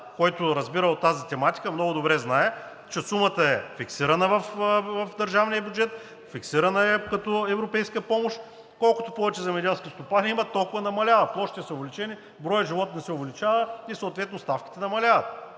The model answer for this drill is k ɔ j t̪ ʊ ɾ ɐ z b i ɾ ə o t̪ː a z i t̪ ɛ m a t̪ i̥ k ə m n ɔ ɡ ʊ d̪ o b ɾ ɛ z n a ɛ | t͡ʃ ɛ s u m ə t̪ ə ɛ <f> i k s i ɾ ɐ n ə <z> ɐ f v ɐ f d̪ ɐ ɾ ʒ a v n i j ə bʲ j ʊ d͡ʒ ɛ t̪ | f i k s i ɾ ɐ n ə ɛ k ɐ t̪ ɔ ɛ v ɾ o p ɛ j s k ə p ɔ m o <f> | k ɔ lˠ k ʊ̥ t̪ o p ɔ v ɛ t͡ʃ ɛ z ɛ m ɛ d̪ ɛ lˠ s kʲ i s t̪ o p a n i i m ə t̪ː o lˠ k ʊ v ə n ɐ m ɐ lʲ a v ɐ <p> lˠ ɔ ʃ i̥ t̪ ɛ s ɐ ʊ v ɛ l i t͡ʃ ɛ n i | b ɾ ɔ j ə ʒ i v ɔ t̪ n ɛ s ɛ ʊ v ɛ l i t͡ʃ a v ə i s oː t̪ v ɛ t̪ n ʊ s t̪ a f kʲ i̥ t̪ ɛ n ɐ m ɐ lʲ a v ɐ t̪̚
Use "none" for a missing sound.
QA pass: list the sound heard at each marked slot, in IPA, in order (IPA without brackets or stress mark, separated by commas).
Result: f, v, ʃ, p